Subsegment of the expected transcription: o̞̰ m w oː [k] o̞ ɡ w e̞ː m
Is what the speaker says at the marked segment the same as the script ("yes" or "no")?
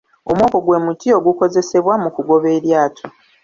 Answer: yes